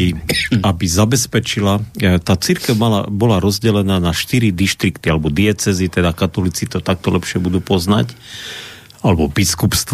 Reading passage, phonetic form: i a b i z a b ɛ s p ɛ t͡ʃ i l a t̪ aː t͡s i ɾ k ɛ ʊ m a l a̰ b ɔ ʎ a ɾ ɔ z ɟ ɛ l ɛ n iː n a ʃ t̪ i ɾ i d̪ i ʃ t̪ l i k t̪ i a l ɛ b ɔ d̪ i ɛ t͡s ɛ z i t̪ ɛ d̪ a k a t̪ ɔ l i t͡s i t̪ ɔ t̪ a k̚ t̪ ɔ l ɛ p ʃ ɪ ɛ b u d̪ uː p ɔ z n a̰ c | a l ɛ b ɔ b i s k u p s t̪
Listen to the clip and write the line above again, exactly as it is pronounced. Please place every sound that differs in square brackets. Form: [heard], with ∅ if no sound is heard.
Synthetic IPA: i a b i z a b ɛ s p ɛ t͡ʃ i l a t̪ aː t͡s i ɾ k ɛ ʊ m a l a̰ b ɔ [l] a ɾ ɔ z ɟ ɛ l ɛ n [aː] n a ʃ t̪ i ɾ i d̪ i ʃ t̪ [ɾ] i k t̪ i a l ɛ b ɔ d̪ i ɛ t͡s ɛ z i t̪ ɛ d̪ a k a t̪ ɔ l i t͡s i t̪ ɔ t̪ a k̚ t̪ ɔ l ɛ p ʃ ɪ ɛ b u d̪ uː p ɔ z n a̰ c | a l ɛ b ɔ b i s k u p s t̪